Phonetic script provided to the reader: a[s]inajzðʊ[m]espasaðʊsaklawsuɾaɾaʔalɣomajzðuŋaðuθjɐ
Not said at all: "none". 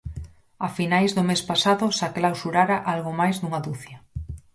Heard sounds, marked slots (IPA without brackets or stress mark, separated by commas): f, m